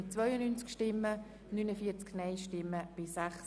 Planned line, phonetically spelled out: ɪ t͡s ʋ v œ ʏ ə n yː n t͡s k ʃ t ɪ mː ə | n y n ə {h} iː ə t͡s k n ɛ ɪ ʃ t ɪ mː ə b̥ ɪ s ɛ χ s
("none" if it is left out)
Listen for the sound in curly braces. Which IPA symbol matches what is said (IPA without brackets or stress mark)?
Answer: f